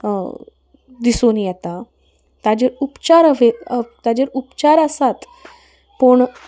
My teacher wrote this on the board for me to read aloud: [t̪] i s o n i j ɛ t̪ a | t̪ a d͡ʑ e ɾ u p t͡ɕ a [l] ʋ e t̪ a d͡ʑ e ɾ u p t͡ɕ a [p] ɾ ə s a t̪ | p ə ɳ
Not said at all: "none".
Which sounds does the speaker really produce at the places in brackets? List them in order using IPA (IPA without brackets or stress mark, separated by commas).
d̪, ɾ, none